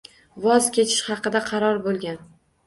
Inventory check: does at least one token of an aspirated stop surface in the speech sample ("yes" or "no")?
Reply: yes